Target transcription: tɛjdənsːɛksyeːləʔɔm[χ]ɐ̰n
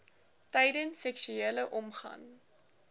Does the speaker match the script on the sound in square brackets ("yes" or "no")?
yes